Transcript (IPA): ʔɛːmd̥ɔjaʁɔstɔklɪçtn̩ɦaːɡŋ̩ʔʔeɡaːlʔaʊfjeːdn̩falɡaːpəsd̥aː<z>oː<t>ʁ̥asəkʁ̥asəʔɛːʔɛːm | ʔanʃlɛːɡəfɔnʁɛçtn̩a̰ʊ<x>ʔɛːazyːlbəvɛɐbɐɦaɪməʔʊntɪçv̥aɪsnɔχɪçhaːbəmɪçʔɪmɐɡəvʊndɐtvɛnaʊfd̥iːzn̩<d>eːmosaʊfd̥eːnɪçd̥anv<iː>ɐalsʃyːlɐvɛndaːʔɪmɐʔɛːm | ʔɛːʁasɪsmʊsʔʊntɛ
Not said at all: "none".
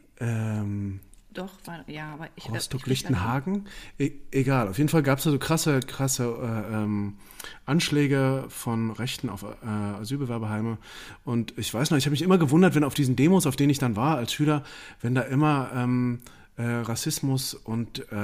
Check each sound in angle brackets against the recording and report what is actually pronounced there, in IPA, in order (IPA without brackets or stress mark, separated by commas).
z, k, f, d, aː